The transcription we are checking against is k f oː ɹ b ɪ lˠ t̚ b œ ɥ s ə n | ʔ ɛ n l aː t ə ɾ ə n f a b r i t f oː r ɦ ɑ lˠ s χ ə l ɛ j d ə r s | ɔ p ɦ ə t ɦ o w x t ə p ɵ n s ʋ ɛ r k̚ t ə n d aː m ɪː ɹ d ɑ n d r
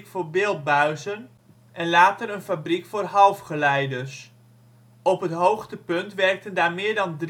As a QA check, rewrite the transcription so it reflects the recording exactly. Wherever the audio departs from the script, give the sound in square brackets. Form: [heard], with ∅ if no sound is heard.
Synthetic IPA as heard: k f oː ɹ b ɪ lˠ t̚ b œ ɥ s ə n | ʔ ɛ n l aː t ə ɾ ə n f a b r i [k] f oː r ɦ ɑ lˠ [f] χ ə l ɛ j d ə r s | ɔ p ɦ ə t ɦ o w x t ə p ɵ n [t] ʋ ɛ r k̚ t ə n d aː m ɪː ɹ d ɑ n d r